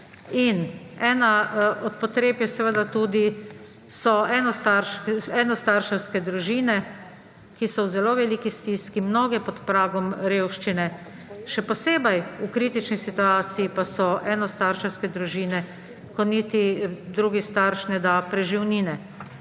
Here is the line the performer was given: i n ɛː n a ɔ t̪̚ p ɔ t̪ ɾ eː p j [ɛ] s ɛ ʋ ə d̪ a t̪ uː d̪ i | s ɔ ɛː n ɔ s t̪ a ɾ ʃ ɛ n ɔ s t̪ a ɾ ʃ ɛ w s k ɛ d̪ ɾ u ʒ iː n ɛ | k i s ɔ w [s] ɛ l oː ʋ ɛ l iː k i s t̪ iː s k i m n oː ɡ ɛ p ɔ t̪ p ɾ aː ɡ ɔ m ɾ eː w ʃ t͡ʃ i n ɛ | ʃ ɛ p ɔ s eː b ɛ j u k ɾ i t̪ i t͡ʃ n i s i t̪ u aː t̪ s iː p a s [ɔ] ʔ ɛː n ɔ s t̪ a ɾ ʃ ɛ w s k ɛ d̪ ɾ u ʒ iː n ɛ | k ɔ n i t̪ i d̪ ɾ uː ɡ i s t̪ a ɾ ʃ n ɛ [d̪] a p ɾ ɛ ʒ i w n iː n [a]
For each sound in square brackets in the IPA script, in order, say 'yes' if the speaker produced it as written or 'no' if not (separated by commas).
yes, no, yes, yes, no